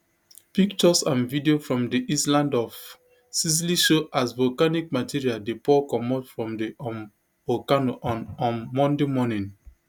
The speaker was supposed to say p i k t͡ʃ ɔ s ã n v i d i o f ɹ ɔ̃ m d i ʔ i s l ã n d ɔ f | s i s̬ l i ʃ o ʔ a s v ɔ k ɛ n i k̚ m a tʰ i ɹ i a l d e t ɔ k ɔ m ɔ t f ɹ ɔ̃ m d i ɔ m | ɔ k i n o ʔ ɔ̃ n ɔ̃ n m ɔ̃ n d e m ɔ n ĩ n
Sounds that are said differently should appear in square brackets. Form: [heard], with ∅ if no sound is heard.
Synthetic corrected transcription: p i k t͡ʃ ɔ s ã n v i d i o f ɹ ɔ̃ m d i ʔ i s l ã n d ɔ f | s i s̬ l i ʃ o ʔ a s v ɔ k [a] n i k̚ m a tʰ i ɹ i a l d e [p] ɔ k ɔ m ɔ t f ɹ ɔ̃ m d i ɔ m | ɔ k [a] n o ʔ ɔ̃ n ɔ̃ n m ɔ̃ n d e m ɔ n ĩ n